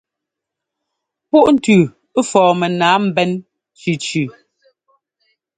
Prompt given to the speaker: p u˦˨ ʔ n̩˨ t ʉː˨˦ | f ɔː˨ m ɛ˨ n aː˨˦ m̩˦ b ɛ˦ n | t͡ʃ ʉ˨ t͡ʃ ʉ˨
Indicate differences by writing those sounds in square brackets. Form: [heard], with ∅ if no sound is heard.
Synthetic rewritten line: p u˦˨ ʔ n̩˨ t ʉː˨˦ | f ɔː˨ m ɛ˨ n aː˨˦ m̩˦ b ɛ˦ n | t͡ʃ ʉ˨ t͡ʃ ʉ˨

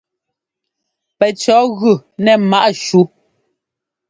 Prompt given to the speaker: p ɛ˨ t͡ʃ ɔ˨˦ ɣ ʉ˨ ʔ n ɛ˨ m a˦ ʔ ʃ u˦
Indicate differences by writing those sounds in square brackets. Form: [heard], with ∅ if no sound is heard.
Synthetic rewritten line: p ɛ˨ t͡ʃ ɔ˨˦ ɣ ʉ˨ [∅] n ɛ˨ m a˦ ʔ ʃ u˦

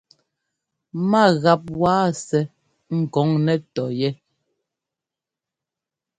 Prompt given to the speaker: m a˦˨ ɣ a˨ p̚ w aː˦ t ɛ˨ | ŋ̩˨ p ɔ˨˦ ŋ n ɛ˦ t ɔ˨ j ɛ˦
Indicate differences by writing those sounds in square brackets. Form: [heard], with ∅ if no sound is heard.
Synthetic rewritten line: m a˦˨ ɣ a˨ p̚ w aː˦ [s] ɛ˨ | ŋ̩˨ [k] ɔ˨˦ ŋ n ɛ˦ t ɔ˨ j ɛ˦

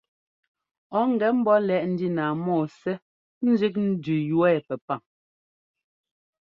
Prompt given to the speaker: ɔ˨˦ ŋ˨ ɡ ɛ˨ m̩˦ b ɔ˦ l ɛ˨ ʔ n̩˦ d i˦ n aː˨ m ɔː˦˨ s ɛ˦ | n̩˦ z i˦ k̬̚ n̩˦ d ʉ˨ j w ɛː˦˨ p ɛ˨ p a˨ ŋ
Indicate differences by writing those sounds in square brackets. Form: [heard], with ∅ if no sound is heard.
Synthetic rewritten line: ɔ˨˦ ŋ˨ ɡ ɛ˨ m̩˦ b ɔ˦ l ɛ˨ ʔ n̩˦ d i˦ n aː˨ m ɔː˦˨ s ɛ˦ | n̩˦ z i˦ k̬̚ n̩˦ d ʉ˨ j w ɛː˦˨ p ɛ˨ p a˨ ŋ

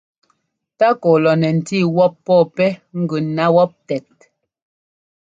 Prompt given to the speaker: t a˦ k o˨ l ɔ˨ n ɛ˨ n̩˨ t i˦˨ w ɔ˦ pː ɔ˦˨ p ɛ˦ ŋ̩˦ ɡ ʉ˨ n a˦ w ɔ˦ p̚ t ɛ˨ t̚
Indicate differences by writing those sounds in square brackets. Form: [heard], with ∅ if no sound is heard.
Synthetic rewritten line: t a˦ k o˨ l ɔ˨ n ɛ˨ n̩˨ t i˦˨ w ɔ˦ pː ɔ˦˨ p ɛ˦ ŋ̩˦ ɡ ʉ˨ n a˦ w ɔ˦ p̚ t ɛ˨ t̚

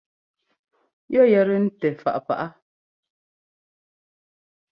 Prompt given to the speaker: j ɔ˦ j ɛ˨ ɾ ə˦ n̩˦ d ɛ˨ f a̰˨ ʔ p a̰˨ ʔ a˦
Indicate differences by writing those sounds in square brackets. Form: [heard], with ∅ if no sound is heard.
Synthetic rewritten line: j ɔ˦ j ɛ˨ ɾ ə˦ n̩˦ [t] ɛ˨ f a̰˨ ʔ p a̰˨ ʔ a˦

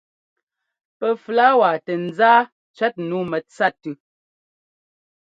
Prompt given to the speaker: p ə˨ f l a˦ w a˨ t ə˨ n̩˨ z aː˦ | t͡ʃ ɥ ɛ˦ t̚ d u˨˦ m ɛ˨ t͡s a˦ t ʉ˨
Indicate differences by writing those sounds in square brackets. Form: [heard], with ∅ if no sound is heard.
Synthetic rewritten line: p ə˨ f l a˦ w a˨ t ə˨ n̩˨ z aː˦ | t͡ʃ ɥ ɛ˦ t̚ [n] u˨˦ m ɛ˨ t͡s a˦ t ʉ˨

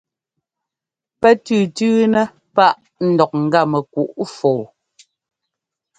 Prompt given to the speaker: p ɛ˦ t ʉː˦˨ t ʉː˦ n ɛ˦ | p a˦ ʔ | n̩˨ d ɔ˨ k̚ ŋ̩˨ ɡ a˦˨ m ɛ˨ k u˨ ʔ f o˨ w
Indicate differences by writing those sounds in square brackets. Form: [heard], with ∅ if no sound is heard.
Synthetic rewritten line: p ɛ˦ t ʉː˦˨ t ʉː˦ n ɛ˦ | p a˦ ʔ | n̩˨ d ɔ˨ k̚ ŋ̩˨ ɡ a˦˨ m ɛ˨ k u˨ ʔ f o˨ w

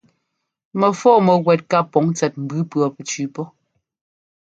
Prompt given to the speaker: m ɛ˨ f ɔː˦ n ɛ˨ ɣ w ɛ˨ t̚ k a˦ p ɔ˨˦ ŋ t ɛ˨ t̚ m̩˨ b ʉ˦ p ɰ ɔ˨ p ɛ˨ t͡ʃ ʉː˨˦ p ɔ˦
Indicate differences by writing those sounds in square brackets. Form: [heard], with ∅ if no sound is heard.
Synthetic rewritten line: m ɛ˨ f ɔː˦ [m] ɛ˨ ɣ w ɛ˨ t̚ k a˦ p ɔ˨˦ ŋ [t͡s] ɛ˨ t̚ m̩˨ b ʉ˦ p ɰ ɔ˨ p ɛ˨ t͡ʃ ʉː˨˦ p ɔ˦

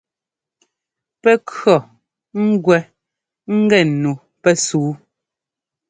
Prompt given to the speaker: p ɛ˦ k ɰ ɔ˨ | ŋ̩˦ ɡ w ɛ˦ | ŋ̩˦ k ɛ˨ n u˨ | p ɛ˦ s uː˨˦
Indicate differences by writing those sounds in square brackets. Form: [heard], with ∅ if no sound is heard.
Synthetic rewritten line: p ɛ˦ k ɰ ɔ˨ | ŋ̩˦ ɡ w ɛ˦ | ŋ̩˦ [ɡ] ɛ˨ n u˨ | p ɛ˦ s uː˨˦

